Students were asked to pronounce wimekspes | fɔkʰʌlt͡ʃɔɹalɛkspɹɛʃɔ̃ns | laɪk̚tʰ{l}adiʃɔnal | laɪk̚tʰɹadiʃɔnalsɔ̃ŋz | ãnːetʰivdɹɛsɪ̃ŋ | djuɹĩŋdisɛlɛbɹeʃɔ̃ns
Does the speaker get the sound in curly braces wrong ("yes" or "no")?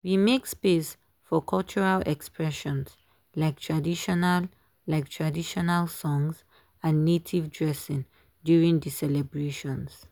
yes